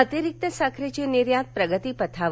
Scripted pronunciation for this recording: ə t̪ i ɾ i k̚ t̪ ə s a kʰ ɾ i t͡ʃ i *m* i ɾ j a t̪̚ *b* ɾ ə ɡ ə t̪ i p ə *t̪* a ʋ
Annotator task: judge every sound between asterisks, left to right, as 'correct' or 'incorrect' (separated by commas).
incorrect, incorrect, incorrect